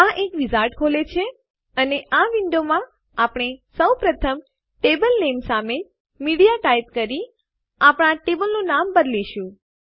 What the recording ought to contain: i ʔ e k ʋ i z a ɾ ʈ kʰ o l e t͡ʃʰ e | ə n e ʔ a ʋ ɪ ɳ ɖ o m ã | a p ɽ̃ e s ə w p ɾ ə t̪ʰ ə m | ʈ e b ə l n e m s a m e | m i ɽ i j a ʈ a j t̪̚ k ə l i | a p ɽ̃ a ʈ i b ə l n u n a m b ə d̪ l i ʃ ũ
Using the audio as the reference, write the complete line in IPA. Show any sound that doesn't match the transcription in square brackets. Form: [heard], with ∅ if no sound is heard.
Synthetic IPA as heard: [a] ʔ e k ʋ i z a ɾ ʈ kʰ o l e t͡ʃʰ e | ə n e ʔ a ʋ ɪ ɳ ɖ o m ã | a p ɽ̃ e s ə w p ɾ ə t̪ʰ ə m | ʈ e b ə l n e m s a m e | m i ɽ i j a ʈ a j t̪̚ k ə [ɾ] i | a p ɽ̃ a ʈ [e] b ə l n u n a m b ə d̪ l i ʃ ũ